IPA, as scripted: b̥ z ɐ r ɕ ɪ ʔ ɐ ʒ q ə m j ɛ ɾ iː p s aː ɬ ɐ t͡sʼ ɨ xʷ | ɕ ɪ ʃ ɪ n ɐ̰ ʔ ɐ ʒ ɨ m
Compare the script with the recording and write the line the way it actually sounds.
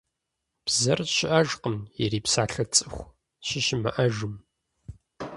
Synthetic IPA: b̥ z ɐ r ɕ ɪ ʔ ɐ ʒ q ə m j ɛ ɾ iː p s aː ɬ ɐ t͡sʼ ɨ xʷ | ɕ ɪ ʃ ɪ m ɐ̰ ʔ ɐ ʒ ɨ m